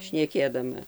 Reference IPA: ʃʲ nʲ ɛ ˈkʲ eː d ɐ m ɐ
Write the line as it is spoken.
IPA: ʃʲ nʲ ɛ ˈkʲ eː d ɐ m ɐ